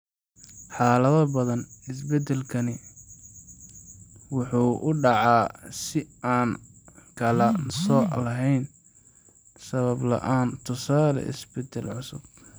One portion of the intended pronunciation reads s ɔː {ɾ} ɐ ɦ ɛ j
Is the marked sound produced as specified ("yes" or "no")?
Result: no